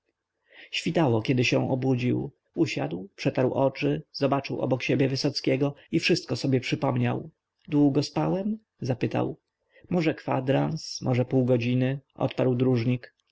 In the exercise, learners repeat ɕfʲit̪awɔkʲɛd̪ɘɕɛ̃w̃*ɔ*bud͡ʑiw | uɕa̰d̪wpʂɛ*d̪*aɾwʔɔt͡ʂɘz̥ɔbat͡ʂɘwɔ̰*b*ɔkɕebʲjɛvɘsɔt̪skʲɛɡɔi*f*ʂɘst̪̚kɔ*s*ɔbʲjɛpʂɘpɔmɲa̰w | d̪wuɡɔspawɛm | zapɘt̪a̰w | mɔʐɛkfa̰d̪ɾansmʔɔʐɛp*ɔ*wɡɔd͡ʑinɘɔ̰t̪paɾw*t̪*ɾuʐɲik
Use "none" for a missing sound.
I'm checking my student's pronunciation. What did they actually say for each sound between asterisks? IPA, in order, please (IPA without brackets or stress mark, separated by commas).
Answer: ɔ, t̪, b, f, s, u, d̪